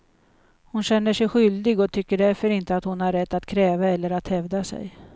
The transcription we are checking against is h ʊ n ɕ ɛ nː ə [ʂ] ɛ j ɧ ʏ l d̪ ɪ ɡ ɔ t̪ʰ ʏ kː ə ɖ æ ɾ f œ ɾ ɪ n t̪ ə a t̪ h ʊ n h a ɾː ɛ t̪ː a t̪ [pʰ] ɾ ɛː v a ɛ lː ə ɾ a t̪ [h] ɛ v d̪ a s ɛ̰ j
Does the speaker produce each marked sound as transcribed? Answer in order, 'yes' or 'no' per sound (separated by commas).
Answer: yes, no, yes